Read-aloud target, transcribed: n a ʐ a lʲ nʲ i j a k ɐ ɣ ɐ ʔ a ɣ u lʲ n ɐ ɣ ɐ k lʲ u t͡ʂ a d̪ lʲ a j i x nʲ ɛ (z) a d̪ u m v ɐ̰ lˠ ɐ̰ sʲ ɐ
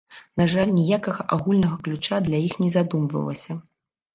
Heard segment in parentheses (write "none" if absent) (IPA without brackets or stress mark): z